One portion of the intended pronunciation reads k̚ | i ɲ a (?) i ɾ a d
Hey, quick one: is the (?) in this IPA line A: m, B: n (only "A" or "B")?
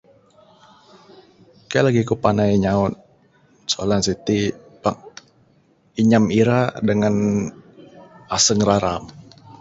A